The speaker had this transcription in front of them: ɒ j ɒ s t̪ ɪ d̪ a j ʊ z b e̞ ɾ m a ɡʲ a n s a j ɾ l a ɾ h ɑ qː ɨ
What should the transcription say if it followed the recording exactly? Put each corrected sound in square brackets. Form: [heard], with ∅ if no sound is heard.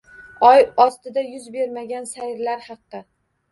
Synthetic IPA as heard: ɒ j ɒ s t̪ ɪ d̪ a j ʊ z b e̞ ɾ m a ɡʲ a n s a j ɾ l a ɾ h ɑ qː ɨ